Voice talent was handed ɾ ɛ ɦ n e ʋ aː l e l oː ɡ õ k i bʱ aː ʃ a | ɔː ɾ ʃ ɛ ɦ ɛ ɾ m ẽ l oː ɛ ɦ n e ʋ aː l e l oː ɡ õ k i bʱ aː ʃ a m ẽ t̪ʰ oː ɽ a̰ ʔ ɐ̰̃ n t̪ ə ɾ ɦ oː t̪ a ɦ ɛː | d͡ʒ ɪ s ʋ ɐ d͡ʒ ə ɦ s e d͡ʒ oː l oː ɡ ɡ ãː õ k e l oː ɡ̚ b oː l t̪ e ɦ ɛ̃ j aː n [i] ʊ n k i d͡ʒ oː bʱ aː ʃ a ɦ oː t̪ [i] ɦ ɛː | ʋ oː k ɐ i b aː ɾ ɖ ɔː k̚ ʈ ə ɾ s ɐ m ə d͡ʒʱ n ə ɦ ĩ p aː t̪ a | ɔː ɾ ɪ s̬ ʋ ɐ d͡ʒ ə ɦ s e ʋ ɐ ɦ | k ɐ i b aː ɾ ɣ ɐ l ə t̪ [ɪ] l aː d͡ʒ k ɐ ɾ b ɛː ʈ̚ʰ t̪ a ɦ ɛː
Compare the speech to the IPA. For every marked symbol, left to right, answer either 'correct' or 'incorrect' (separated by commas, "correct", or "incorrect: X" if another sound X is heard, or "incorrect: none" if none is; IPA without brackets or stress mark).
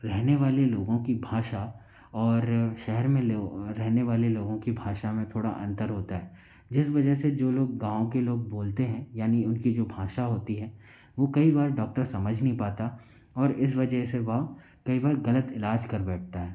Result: correct, correct, correct